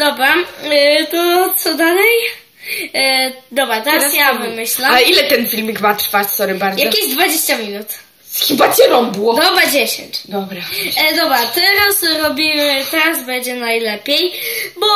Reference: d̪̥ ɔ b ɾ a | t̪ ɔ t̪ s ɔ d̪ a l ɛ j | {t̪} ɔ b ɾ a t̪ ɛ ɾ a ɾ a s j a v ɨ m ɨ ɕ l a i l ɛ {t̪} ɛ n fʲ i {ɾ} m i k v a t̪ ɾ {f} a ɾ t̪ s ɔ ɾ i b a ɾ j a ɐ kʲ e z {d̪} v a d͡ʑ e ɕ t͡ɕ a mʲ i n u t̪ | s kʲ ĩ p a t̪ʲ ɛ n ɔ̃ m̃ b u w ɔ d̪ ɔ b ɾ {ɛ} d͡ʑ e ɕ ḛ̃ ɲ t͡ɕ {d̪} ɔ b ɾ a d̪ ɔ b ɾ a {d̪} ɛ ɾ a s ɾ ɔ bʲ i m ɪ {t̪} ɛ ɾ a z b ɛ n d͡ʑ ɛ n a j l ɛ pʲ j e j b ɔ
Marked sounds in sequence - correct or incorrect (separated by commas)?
incorrect, correct, incorrect, correct, correct, incorrect, correct, incorrect, correct